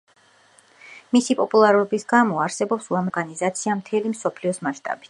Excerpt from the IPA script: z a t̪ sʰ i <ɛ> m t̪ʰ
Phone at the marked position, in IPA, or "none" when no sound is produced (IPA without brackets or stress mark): a